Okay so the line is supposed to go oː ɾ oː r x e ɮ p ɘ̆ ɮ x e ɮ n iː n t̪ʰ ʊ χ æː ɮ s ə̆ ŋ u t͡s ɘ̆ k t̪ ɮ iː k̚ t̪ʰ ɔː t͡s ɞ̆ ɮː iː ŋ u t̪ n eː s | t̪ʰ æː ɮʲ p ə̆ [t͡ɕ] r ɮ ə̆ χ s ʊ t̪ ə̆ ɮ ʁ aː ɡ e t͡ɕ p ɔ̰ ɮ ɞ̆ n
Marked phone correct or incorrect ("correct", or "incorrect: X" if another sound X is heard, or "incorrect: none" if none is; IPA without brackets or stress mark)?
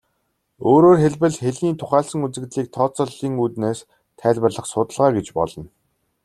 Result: incorrect: none